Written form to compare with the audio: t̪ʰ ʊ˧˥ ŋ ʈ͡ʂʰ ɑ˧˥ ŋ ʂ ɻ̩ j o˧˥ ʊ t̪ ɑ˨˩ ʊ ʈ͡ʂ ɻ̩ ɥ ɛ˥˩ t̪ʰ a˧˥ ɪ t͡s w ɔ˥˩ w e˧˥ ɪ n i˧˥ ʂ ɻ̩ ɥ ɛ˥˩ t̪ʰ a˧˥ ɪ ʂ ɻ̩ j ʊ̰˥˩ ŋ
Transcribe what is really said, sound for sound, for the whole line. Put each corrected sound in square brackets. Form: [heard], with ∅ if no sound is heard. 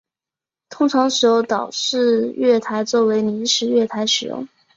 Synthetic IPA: t̪ʰ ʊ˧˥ ŋ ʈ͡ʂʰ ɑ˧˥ ŋ ʂ ɻ̩ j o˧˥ ʊ t̪ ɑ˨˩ ʊ ʈ͡ʂ ɻ̩ ɥ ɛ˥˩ t̪ʰ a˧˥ ɪ t͡s w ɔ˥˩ w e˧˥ ɪ n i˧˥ ʂ ɻ̩ ɥ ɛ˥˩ t̪ʰ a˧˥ ɪ ʂ ɻ̩ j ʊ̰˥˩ ŋ

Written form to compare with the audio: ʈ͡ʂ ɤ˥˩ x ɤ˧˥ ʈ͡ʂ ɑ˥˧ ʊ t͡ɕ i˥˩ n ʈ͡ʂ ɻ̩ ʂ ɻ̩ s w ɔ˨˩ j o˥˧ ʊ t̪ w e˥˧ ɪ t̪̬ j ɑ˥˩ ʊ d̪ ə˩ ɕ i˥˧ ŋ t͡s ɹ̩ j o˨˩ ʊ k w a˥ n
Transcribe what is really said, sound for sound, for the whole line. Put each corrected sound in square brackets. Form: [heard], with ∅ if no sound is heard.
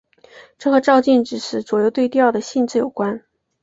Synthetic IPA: ʈ͡ʂ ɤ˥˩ x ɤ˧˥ ʈ͡ʂ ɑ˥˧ ʊ t͡ɕ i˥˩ n ʈ͡ʂ ɻ̩ ʂ ɻ̩ [t͡s] w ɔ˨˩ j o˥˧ ʊ t̪ w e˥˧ ɪ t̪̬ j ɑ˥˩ ʊ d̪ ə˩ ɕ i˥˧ [n] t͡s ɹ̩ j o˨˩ ʊ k w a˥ n

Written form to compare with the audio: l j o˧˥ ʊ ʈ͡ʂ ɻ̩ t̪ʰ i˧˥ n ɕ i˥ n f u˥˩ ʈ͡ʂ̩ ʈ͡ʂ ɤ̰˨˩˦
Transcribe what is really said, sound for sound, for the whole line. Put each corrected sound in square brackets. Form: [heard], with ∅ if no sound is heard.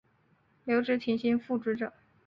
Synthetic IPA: l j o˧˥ ʊ ʈ͡ʂ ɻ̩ t̪ʰ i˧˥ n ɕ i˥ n f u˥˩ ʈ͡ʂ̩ ʈ͡ʂ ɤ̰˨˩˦

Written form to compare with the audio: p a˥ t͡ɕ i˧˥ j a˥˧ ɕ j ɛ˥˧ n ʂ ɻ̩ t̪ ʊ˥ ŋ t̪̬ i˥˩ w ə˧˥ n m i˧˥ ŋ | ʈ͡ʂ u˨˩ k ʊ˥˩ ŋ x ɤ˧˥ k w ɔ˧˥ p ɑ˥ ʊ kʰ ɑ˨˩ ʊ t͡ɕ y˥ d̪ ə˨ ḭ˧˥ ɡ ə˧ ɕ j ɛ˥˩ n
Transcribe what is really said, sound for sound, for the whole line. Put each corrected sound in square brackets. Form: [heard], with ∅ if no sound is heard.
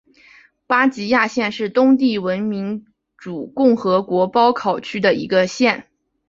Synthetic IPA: p a˥ t͡ɕ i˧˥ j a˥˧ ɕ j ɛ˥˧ n ʂ ɻ̩ t̪ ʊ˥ ŋ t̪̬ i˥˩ w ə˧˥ n m i˧˥ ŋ | ʈ͡ʂ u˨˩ k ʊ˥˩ ŋ x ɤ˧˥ k w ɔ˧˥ p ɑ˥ ʊ kʰ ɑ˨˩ ʊ [t͡ɕʰ] y˥ d̪ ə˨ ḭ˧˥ ɡ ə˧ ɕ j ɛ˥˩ n

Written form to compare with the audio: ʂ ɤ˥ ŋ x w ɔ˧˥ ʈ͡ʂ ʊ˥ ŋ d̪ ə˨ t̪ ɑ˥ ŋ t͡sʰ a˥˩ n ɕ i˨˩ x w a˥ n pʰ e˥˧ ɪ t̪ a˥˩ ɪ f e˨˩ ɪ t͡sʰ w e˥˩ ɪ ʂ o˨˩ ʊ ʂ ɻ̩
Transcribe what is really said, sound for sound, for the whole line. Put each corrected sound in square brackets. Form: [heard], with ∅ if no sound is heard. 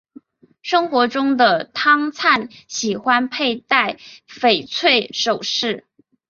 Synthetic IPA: ʂ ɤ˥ ŋ x w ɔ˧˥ ʈ͡ʂ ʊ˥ ŋ d̪ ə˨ [t̪ʰ] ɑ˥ ŋ t͡sʰ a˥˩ n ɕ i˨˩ x w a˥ n pʰ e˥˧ ɪ t̪ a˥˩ ɪ f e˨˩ ɪ t͡sʰ w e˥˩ ɪ ʂ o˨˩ ʊ ʂ ɻ̩

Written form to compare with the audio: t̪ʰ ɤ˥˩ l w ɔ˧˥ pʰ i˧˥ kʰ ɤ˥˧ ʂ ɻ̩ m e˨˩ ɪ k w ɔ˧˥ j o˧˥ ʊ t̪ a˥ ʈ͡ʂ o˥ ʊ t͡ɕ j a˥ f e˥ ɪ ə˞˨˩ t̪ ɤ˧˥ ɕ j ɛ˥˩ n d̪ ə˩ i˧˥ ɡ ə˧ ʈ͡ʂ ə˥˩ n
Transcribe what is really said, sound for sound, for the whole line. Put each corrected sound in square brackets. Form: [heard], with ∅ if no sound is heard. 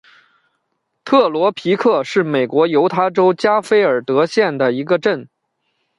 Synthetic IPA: t̪ʰ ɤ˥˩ l w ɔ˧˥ pʰ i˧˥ kʰ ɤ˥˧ ʂ ɻ̩ m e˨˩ ɪ k w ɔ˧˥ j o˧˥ ʊ [t̪ʰ] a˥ ʈ͡ʂ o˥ ʊ t͡ɕ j a˥ f e˥ ɪ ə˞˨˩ t̪ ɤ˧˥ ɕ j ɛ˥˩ n d̪ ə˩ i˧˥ ɡ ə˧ ʈ͡ʂ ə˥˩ n

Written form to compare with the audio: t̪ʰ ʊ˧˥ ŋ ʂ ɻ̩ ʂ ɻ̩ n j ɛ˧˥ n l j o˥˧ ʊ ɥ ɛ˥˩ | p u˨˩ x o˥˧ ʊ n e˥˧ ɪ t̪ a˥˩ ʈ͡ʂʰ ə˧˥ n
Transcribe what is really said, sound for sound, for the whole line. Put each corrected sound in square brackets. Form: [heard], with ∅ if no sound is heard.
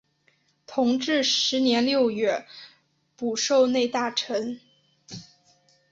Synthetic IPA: t̪ʰ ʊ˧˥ ŋ [ʈ͡ʂ] ɻ̩ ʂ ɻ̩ n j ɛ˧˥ n l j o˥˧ ʊ ɥ ɛ˥˩ | p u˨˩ [ʂ] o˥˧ ʊ n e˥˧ ɪ t̪ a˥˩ ʈ͡ʂʰ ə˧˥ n

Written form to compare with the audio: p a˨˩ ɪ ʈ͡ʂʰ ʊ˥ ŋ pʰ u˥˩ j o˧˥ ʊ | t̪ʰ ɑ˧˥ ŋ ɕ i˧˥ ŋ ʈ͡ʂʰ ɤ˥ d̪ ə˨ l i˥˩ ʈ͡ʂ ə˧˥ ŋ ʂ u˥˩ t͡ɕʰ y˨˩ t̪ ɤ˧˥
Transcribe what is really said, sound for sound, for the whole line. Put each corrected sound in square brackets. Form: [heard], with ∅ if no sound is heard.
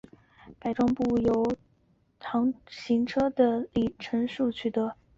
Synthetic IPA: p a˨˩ ɪ [ʈ͡ʂ] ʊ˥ ŋ [p] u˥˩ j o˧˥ ʊ | t̪ʰ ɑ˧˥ ŋ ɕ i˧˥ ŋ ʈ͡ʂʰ ɤ˥ d̪ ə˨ l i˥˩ [ʈ͡ʂʰ] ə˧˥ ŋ ʂ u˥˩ t͡ɕʰ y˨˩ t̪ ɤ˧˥

